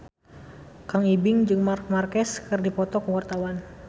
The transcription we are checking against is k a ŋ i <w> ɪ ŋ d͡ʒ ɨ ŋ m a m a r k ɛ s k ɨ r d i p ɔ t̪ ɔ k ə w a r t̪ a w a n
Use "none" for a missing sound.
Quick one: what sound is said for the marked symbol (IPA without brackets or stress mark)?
b